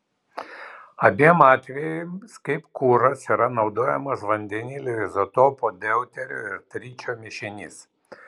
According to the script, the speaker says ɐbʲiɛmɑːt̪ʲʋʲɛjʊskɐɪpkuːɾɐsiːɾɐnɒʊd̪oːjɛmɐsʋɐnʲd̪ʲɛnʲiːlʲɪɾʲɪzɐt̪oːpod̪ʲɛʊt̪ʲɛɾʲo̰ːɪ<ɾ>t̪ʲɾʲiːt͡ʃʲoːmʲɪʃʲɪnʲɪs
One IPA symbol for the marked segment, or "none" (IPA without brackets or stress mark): ɾ